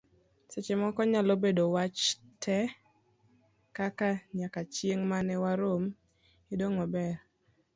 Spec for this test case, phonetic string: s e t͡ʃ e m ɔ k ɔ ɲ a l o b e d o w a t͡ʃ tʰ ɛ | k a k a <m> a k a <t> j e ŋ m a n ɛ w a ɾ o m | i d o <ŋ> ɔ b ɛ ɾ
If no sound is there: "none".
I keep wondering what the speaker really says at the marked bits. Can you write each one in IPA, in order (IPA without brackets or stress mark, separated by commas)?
ɲ, t͡ʃ, ŋ